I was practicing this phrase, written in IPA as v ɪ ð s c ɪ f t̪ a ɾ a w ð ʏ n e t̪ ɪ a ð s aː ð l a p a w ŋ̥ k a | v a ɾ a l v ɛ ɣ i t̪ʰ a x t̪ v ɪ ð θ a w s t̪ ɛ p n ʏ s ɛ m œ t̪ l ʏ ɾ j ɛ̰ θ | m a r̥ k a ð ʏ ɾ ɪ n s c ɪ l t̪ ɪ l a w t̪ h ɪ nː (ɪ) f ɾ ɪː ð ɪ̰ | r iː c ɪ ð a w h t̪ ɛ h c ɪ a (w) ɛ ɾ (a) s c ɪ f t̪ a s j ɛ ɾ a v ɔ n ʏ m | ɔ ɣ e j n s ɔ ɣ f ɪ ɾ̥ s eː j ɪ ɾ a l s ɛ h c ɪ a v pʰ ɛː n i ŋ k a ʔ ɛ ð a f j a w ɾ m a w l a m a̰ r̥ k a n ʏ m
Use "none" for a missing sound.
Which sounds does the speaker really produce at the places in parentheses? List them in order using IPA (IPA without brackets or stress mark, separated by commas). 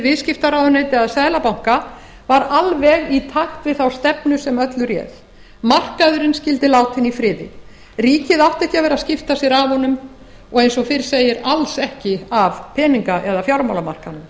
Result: i, v, a